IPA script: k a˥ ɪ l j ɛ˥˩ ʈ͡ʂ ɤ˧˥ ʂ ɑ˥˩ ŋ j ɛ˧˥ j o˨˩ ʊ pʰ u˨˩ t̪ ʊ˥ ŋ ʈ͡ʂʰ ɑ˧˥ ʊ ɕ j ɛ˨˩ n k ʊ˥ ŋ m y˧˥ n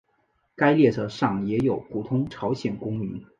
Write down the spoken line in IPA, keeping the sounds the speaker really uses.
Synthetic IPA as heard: k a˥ ɪ l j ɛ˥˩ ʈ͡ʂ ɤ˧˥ ʂ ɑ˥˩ ŋ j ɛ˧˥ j o˨˩ ʊ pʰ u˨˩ t̪ʰ ʊ˥ ŋ ʈ͡ʂʰ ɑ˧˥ ʊ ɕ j ɛ˨˩ n k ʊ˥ ŋ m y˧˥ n